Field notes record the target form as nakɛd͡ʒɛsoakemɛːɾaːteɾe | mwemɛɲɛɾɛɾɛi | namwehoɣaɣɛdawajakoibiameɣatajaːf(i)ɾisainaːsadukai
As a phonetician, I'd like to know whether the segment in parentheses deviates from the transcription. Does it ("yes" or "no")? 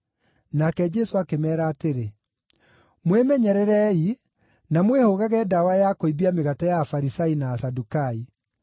yes